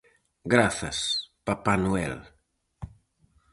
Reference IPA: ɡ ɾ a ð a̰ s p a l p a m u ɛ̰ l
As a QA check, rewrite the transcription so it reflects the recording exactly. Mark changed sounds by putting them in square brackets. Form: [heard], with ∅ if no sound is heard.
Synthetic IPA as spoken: ɡ ɾ a [θ] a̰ s p a [∅] p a [n] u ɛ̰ l

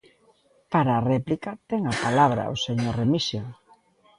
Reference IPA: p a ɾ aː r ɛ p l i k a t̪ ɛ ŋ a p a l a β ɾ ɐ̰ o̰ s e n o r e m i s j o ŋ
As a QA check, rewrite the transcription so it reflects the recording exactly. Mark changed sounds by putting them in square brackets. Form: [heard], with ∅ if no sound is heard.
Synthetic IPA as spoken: p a ɾ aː r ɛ p l i k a t̪ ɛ ŋ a p a l a β ɾ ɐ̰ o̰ s e [ɲ] o r e m i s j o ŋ

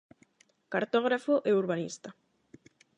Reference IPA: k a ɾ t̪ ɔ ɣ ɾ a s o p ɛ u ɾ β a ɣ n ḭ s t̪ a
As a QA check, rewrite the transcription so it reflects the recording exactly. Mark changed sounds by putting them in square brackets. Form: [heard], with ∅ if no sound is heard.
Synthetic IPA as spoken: k a ɾ t̪ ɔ ɣ ɾ a [f] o [ʔ] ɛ u ɾ β a [∅] n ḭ s t̪ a

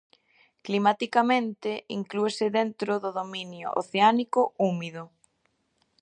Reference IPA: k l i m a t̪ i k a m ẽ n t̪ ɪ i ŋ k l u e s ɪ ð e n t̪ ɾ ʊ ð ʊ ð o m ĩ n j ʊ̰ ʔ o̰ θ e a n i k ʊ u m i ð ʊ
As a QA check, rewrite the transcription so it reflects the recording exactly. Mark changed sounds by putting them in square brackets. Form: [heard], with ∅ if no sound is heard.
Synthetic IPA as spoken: k l i m a t̪ i k a m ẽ n t̪ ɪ i ŋ k l u e s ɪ ð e n t̪ ɾ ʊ ð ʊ ð o m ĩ n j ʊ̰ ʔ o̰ θ e a n i k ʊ u m i ð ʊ

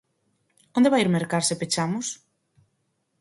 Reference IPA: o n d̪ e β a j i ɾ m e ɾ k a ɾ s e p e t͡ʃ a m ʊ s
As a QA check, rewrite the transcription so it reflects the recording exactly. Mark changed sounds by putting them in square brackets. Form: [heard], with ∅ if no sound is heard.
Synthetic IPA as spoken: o n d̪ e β a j i ɾ m e ɾ k a ɾ s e p e t͡ʃ a m ʊ s

